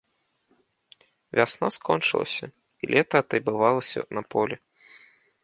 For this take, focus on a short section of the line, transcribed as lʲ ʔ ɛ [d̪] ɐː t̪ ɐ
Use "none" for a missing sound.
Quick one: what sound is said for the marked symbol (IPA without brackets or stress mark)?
t̪